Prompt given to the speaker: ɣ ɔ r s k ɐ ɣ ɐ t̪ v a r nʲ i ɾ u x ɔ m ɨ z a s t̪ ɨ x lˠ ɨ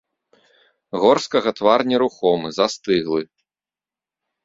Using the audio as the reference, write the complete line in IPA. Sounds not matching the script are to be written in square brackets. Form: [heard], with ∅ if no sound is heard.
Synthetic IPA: ɣ ɔ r s k ɐ ɣ ɐ t̪ v a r nʲ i ɾ u x ɔ m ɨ z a s t̪ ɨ [ɣ] lˠ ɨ